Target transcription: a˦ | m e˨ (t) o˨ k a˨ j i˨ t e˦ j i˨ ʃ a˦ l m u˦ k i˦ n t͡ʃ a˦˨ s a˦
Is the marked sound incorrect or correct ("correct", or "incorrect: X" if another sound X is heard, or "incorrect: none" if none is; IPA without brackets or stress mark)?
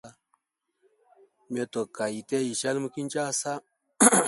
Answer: correct